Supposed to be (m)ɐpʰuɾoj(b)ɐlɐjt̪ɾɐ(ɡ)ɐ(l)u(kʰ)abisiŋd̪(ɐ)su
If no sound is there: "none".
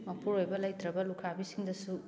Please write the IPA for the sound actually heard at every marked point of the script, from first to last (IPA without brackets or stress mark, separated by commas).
m, b, b, l, kʰ, ɐ